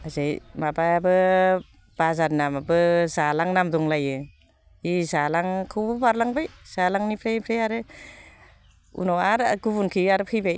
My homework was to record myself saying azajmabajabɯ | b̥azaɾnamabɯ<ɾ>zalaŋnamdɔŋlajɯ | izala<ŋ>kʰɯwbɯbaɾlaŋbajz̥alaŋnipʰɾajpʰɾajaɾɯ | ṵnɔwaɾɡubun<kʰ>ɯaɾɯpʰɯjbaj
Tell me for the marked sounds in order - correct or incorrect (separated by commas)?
incorrect, correct, correct